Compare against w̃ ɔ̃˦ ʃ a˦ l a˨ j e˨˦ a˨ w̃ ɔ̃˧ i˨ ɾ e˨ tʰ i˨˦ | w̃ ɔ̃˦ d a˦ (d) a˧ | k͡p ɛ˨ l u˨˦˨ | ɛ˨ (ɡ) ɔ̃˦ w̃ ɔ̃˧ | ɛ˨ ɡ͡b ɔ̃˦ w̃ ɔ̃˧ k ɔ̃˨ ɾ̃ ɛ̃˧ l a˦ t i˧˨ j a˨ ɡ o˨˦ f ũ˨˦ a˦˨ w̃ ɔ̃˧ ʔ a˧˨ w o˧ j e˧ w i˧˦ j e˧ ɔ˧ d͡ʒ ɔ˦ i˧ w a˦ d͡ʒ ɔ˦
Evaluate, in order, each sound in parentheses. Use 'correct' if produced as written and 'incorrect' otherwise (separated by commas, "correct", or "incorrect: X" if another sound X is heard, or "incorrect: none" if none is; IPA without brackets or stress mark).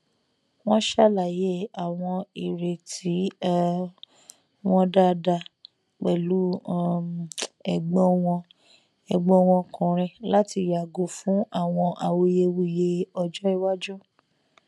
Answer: correct, incorrect: ɡ͡b